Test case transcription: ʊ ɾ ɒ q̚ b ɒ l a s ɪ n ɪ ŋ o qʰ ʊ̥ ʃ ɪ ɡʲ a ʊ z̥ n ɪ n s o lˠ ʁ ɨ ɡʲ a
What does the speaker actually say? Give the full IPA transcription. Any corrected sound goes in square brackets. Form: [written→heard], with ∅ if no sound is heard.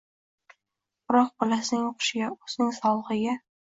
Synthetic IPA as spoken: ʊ ɾ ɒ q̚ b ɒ l a s ɪ n ɪ ŋ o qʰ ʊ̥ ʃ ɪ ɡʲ a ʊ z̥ n ɪ [n→ŋ] s [o→ɒ] lˠ ʁ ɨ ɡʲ a